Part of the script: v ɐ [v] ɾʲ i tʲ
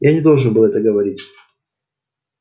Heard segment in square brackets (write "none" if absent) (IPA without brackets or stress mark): none